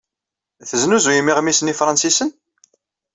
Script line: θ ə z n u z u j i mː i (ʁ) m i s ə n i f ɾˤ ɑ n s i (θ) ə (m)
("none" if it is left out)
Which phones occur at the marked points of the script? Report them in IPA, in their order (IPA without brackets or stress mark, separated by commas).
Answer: ʁ, s, n